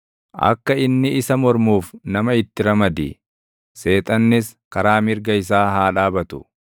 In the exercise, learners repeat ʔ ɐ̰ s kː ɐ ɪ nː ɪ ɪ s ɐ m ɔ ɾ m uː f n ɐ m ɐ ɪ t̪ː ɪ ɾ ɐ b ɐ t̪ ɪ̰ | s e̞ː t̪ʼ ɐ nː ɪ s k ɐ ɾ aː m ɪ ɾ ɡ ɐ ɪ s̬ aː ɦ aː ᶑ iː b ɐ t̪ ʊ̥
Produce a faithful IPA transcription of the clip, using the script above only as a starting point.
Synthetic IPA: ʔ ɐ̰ kː ɐ ɪ nː ɪ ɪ s ɐ m ɔ ɾ m uː f n ɐ m ɐ ɪ t̪ː ɪ ɾ ɐ m ɐ d̪ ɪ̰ | s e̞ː t̪ʼ ɐ nː ɪ s k ɐ ɾ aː m ɪ ɾ ɡ ɐ ɪ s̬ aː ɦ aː ᶑ aː b ɐ t̪ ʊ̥